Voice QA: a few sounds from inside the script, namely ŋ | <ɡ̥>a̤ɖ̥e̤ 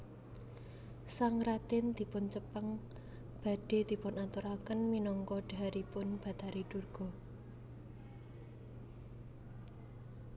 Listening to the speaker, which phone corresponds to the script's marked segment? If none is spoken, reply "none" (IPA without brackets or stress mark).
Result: b̥